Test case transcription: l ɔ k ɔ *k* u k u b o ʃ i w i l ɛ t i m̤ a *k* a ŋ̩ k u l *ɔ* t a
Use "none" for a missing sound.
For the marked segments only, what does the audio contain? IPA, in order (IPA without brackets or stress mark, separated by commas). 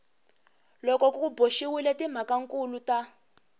k, k, u